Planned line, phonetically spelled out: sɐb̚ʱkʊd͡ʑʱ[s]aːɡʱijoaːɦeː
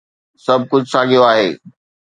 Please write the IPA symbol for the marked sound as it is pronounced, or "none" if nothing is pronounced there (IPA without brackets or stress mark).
s